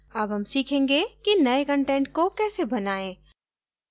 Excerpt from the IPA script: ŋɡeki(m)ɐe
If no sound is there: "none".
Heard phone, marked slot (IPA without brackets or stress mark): n